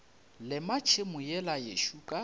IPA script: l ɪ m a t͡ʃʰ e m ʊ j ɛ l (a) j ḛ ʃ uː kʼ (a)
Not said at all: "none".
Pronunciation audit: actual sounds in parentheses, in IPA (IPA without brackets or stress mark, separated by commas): a, a